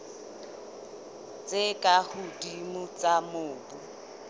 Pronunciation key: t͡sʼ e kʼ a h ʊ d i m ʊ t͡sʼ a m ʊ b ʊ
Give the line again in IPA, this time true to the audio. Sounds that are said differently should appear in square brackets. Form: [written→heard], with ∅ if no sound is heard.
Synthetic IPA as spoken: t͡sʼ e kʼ a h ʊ d i m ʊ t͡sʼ a m [ʊ→ʊː] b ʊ

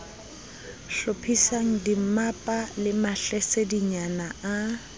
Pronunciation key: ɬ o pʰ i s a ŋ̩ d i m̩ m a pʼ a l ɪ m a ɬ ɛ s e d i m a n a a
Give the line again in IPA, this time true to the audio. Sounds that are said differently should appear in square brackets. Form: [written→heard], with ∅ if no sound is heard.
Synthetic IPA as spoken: ɬ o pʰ i s a ŋ̩ d i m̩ m a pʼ a l ɪ m a ɬ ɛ s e d i [m→ɲ] a n a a

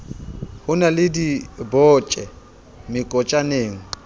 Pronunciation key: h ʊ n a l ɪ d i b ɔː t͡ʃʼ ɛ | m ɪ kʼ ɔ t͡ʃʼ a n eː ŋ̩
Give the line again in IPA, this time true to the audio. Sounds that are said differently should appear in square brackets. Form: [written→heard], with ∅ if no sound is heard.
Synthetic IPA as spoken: h ʊ n a l ɪ d i b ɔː t͡ʃʼ ɛ | m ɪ kʼ ɔ t͡ʃʼ a n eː ŋ̩

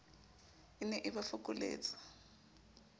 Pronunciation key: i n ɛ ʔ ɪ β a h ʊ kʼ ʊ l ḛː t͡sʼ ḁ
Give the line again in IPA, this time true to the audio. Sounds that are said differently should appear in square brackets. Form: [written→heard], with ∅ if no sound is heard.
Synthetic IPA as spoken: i n ɛ ʔ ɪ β a [h→f] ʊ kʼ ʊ l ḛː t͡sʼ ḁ

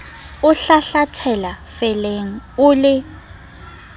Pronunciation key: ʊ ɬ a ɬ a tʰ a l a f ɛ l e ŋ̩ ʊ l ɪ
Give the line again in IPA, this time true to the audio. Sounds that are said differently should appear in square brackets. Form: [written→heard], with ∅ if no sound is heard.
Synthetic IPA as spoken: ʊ ɬ a ɬ a tʰ [a→ɛ] l a f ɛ l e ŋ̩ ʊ l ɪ

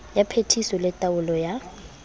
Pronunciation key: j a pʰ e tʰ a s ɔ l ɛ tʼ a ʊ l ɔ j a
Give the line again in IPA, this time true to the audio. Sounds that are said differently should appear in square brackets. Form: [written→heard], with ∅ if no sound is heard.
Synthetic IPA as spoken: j a pʰ e tʰ [a→i] s ɔ l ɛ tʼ a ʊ l ɔ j a

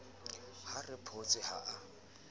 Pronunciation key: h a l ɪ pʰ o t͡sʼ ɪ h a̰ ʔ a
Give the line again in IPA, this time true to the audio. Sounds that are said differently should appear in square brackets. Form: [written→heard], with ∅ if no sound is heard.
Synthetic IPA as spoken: h a [l→r] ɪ pʰ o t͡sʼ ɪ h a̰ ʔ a

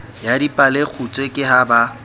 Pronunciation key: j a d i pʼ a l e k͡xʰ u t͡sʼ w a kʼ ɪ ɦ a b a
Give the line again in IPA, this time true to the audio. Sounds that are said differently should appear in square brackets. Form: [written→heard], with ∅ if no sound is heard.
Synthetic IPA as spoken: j a d i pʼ a l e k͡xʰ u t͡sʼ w [a→e] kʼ ɪ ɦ a b a

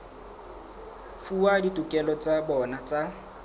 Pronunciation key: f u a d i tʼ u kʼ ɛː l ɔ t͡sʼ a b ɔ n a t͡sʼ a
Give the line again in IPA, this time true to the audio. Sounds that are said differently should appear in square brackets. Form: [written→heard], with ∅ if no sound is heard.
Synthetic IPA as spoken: f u a d i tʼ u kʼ [ɛː→ɛ] l ɔ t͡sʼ a b ɔ n a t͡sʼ a

